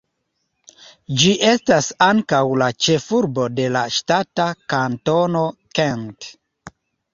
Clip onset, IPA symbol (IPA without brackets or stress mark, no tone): d͡ʒ